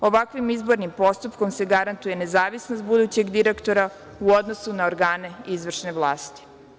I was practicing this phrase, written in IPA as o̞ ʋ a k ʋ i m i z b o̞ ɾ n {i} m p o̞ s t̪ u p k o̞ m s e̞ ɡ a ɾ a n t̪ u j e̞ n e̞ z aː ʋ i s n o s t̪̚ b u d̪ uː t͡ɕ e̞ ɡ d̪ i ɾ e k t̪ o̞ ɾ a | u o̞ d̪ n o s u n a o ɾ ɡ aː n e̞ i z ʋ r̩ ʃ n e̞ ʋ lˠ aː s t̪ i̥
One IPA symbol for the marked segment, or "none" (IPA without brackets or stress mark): i